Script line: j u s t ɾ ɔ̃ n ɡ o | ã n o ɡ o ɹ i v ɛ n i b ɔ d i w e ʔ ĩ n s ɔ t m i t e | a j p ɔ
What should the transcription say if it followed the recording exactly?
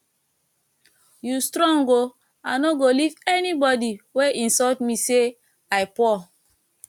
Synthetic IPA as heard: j u s t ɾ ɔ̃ ŋ ɡ o | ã n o ɡ o l i v ɛ n i b ɔ d i w e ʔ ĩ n s ɔ t m i s e | a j p ɔ